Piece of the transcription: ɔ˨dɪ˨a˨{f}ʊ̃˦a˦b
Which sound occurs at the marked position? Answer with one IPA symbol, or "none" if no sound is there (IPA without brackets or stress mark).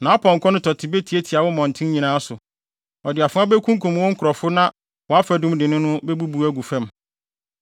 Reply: f